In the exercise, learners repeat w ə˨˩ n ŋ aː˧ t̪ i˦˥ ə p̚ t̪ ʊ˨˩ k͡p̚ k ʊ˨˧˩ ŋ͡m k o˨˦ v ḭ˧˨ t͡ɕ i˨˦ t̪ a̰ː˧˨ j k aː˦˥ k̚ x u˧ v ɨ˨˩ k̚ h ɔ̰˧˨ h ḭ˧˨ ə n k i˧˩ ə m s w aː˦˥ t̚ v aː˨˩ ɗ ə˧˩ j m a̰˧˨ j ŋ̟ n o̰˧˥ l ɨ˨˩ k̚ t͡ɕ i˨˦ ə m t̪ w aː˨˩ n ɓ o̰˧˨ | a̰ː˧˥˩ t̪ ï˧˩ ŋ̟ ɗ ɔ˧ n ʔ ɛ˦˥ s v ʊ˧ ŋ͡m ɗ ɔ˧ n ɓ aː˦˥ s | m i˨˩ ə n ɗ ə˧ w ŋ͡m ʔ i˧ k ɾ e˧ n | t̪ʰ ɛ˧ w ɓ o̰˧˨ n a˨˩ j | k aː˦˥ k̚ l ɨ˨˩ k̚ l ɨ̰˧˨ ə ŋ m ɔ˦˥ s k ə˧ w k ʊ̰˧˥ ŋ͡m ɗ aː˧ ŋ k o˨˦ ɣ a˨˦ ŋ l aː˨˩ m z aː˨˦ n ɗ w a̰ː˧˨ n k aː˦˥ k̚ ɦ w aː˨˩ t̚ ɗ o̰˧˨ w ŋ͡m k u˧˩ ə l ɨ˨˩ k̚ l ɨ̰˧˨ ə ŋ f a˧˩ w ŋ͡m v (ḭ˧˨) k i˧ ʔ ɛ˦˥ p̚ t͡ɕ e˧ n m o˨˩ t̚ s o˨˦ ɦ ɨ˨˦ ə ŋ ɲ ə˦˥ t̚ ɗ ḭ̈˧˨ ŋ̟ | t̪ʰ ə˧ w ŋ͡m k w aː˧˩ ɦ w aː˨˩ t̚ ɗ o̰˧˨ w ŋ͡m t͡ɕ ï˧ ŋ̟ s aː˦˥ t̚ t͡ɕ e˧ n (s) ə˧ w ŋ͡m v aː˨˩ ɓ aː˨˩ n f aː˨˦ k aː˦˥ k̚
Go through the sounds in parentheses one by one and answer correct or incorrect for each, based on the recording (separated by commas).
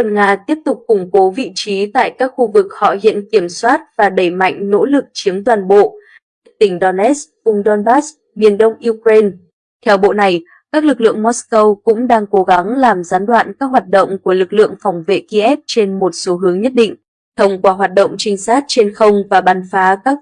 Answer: incorrect, incorrect